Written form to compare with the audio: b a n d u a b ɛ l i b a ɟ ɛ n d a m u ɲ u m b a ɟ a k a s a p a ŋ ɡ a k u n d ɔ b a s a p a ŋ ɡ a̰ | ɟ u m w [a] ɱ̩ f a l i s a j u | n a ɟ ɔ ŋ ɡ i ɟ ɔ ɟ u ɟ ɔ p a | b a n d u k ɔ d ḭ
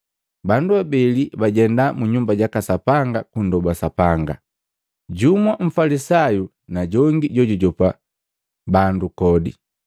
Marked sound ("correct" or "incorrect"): correct